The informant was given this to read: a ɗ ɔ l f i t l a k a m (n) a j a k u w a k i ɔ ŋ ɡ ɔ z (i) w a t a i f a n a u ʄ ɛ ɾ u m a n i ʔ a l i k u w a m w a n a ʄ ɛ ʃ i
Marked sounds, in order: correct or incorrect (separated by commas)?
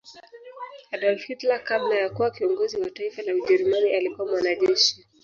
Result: correct, correct